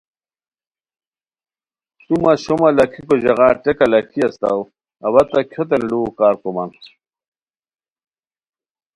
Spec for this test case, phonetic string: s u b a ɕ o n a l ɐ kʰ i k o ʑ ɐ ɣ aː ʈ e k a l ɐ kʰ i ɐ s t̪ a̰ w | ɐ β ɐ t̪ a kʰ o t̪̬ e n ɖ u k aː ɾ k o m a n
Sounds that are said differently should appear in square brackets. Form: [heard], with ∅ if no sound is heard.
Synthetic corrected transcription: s u [m] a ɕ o [m] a l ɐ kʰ i k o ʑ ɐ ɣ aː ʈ e k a l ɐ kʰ i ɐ s t̪ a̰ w | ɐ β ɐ t̪ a kʰ o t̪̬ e n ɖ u k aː ɾ k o m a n